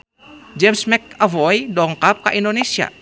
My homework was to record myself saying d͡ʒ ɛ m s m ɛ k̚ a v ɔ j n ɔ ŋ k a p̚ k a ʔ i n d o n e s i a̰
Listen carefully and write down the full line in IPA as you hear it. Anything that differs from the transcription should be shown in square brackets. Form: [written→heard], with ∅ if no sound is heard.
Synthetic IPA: d͡ʒ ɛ m s m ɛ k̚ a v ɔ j [n→d] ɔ ŋ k a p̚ k a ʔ i n d o n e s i a̰